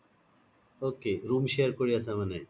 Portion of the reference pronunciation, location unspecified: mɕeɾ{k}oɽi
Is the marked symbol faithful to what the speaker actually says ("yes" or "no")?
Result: yes